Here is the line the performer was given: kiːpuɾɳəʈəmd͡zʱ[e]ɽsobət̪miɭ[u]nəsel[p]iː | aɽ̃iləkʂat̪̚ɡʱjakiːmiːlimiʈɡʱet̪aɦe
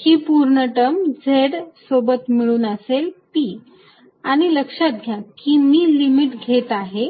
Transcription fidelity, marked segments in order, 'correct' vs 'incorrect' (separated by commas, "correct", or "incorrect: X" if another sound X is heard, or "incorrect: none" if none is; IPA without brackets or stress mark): correct, incorrect: uː, correct